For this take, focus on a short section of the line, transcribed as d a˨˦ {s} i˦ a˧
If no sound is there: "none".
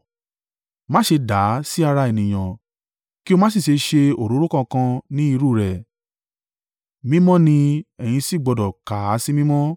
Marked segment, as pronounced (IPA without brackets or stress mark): s